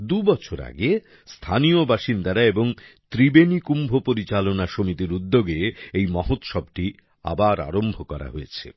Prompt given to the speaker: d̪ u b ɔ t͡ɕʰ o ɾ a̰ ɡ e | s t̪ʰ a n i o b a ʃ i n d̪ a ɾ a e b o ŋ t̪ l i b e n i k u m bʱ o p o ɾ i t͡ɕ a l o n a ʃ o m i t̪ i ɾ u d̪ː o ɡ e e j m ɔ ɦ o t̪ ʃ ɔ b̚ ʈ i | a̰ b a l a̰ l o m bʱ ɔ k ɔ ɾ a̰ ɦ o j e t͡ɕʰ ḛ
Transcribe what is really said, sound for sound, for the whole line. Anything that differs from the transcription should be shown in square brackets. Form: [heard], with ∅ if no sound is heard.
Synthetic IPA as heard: d̪ u b ɔ t͡ɕʰ o ɾ a̰ ɡ e | s t̪ʰ a n i o b a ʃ i n d̪ a ɾ a e b o ŋ t̪ [ɾ] i b e n i k u m bʱ o p o ɾ i t͡ɕ a l o n a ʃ o m i t̪ i ɾ u d̪ː o ɡ e e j m ɔ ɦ o t̪ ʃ ɔ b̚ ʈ i | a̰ b a [ɾ] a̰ [ɾ] o m bʱ [o] k ɔ ɾ a̰ ɦ o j e t͡ɕʰ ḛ